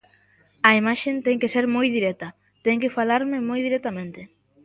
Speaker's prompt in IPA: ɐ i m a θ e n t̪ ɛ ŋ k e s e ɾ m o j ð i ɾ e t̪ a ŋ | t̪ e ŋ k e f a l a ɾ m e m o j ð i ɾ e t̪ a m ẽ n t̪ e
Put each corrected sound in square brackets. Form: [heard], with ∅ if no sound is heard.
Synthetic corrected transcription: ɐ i m a [ʃ] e n t̪ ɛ ŋ k e s e ɾ m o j ð i ɾ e t̪ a [∅] | t̪ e ŋ k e f a l a ɾ m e m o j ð i ɾ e t̪ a m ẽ n t̪ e

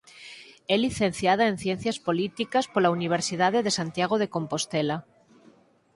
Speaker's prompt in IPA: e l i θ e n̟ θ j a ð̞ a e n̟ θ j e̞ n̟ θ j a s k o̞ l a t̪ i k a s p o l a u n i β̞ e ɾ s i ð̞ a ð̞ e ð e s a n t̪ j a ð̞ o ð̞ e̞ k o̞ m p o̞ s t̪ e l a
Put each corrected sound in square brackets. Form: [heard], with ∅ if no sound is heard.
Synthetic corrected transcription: e l i θ e n̟ θ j a ð̞ a e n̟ θ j e̞ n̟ θ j a s [p] o̞ l [i] t̪ i k a s p o l a u n i β̞ e ɾ s i ð̞ a ð̞ e ð e s a n t̪ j a [ɣ̞] o ð̞ e̞ k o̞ m p o̞ s t̪ e l a

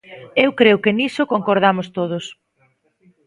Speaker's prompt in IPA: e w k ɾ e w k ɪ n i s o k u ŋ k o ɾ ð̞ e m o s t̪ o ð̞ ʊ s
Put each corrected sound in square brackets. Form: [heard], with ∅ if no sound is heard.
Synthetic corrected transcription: e w k ɾ e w k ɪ n i s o k [o] ŋ k o ɾ ð̞ [a] m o s t̪ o ð̞ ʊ s

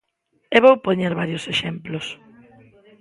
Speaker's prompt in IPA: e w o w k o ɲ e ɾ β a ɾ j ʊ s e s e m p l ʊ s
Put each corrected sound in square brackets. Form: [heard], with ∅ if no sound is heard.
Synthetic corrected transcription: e [β] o w [p] o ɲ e ɾ β a ɾ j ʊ s e [ʃ] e m p l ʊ s

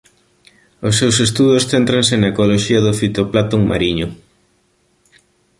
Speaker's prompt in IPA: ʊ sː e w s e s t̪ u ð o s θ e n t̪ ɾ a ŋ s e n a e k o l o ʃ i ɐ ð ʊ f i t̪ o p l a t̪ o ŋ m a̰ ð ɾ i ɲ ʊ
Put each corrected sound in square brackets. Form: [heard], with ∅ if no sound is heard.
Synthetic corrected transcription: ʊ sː e w s e s t̪ u ð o s θ e n t̪ ɾ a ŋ s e n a e k o l o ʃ i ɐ ð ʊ f i t̪ o p l a t̪ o ŋ m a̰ [∅] ɾ i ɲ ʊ

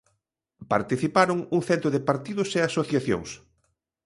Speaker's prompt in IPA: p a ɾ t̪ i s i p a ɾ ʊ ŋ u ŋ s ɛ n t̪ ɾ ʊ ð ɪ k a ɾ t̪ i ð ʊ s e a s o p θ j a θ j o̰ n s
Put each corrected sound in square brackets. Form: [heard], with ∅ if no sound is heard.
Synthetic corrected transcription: p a ɾ t̪ i [θ] i p a ɾ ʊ ŋ u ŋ [θ] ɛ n t̪ ɾ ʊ ð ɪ [p] a ɾ t̪ i ð ʊ s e a s o [∅] θ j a θ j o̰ [ŋ] s

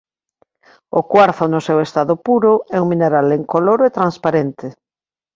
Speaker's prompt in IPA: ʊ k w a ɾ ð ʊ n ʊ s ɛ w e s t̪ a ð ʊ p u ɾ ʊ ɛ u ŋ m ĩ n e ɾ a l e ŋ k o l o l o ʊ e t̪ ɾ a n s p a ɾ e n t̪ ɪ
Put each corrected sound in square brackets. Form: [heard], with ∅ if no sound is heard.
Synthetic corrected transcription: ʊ k w a ɾ [θ] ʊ n ʊ s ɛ w e s t̪ a ð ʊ p u ɾ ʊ ɛ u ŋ m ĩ n e ɾ a l e ŋ k o l o [ɾ] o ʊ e t̪ ɾ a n s p a ɾ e n t̪ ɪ

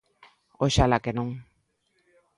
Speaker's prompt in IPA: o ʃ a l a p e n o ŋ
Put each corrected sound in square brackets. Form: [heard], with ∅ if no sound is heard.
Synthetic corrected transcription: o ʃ a l a [k] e n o ŋ

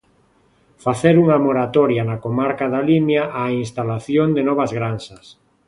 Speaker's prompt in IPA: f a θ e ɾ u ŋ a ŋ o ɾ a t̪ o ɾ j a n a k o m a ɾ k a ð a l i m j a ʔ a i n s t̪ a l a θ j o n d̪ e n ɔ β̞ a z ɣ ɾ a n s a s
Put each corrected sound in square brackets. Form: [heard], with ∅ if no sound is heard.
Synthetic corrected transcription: f a θ e ɾ u ŋ a [m] o ɾ a t̪ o ɾ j a n a k o m a ɾ k a ð a l i m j a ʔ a i n s t̪ a l a θ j o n d̪ e n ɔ β̞ a z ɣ ɾ a n s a s

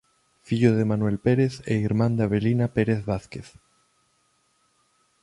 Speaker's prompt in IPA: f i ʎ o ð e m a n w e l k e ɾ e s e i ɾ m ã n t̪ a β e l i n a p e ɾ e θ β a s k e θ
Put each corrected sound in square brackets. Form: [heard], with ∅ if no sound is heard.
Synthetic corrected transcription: f i ʎ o ð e m a n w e l [p] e ɾ e [θ] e i ɾ m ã n [d̪] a β e l i n a p e ɾ e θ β a [θ] k e θ

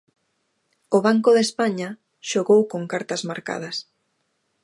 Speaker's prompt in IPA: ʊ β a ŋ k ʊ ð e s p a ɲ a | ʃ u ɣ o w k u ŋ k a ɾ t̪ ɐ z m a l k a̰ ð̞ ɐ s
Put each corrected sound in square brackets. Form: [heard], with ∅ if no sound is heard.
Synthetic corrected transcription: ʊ β a ŋ k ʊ ð e s p a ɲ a | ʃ [o] ɣ o w k [o] ŋ k a ɾ t̪ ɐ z m a [ɾ] k a̰ ð̞ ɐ s

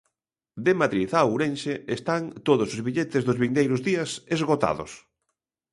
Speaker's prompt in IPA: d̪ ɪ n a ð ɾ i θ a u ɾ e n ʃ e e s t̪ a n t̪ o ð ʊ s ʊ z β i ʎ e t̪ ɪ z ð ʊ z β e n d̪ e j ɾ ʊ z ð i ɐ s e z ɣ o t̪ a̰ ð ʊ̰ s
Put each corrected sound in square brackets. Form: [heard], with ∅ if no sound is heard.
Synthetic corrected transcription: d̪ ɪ [m] a ð ɾ i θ a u ɾ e n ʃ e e s t̪ a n t̪ o ð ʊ s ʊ z β i ʎ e t̪ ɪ z ð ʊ z β [i] n d̪ e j ɾ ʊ z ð i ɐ s e z ɣ o t̪ a̰ ð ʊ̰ s

